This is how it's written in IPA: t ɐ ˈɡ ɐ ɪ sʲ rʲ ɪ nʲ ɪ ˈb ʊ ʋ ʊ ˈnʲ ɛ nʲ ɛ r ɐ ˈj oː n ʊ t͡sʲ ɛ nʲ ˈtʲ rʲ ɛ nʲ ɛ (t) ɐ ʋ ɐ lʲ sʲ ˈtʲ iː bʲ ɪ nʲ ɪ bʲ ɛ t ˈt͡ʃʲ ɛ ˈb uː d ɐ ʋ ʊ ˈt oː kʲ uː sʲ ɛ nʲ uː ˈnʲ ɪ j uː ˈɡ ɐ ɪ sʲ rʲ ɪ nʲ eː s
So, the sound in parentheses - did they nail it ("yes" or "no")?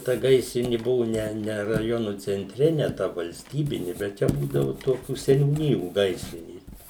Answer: yes